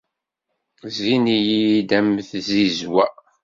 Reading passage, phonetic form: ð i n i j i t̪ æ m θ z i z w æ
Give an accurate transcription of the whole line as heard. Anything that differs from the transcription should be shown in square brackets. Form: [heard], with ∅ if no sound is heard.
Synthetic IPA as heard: [z] i n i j i [d̪] æ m θ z i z w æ